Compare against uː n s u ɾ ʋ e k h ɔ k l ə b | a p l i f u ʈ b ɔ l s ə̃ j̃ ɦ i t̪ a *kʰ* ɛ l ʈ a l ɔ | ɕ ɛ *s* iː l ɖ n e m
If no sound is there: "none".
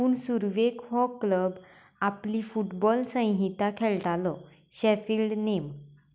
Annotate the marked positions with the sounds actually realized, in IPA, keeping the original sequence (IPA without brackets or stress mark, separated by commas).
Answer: kʰ, f